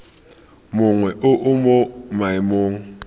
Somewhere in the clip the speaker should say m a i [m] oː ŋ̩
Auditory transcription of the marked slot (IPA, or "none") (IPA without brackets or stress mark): m